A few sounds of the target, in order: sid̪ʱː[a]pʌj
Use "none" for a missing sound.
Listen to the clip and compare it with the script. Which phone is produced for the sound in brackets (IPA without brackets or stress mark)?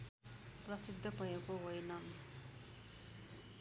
ʌ